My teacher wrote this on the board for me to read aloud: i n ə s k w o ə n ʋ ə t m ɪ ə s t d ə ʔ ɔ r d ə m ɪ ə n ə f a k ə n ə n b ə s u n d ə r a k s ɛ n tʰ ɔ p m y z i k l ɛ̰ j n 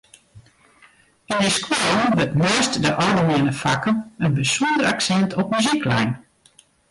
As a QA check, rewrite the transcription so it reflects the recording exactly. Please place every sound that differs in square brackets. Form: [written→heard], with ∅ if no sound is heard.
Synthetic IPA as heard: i n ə s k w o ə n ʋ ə t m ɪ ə s t d ə ʔ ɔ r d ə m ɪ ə n ə f a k ə n ə n b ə s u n d ə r a k s ɛ n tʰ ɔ p m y z i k l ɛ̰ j n